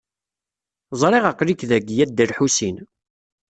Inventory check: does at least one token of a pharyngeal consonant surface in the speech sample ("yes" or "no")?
yes